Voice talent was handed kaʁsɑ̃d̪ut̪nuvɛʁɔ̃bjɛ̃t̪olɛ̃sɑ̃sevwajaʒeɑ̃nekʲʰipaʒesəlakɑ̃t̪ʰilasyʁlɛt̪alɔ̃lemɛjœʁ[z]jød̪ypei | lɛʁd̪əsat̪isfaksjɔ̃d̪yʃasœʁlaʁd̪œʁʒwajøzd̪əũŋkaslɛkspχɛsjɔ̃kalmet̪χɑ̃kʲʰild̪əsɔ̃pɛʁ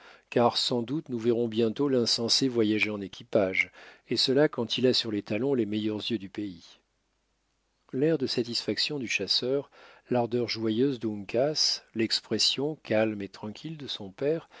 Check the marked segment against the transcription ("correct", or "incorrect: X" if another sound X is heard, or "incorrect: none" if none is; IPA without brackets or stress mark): correct